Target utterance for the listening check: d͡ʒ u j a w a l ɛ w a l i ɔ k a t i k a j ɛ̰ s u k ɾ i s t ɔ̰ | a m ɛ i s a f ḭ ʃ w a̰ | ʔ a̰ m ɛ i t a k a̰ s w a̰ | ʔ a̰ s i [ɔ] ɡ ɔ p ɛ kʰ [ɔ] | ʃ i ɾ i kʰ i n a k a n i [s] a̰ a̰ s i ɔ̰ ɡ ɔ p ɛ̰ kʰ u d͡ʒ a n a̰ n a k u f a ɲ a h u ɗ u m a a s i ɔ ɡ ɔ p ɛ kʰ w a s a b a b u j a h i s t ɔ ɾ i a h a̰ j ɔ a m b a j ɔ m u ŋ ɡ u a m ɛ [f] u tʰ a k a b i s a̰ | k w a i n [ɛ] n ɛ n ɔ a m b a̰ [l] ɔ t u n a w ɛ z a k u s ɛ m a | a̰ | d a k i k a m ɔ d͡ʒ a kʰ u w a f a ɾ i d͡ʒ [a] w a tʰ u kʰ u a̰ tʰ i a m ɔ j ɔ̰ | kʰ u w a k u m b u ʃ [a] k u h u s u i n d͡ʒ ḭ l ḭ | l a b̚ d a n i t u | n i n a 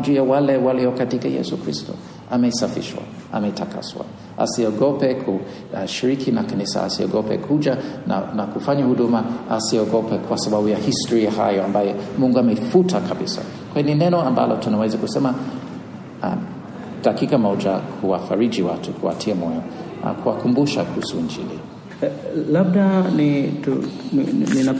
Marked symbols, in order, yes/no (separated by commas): yes, no, yes, yes, no, yes, no, yes